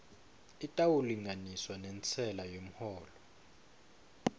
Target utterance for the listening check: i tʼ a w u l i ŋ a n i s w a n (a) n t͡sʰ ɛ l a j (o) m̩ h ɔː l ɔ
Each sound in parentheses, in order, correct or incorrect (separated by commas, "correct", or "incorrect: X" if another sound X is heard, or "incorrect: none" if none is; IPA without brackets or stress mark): incorrect: ɛ, correct